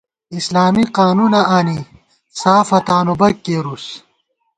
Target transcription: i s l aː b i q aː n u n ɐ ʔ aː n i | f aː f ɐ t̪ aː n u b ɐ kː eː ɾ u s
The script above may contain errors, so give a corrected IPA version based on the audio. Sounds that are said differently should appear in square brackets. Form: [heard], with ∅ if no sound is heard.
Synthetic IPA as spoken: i s l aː [m] i q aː n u n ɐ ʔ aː n i | [s] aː f ɐ t̪ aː n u b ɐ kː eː ɾ u s